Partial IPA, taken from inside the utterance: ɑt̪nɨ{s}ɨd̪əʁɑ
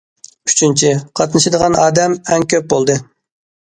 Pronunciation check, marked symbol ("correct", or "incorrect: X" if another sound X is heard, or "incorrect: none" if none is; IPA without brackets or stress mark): incorrect: ʃ